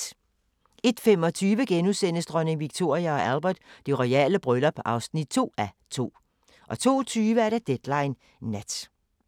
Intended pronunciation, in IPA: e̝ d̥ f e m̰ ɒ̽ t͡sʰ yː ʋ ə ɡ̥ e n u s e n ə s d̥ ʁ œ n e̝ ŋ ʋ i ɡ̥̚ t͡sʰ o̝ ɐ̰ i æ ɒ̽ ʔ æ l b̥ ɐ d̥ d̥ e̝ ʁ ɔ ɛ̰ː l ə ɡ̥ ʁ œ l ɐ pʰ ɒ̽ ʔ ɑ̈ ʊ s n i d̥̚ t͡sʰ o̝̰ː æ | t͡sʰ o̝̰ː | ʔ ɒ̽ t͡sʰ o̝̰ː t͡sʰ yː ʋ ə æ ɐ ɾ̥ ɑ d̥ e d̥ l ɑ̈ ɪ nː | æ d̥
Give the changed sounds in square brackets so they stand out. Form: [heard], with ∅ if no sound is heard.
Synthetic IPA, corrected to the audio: e̝ d̥ f e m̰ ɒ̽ t͡sʰ yː ʋ ə ɡ̥ e n u s e n ə s d̥ ʁ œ n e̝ ŋ ʋ i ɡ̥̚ t͡sʰ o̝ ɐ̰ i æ ɒ̽ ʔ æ l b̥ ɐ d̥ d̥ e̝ ʁ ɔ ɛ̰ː l ə [b̥] ʁ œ l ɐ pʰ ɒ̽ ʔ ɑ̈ ʊ s n i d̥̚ t͡sʰ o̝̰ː æ | t͡sʰ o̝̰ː | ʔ ɒ̽ t͡sʰ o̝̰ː t͡sʰ yː ʋ ə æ ɐ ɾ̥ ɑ d̥ e d̥ l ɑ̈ ɪ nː | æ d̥